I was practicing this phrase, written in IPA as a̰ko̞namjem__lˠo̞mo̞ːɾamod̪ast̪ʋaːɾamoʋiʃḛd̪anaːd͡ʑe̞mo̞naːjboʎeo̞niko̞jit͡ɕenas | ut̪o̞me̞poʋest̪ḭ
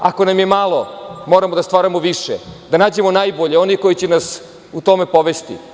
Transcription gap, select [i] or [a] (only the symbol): a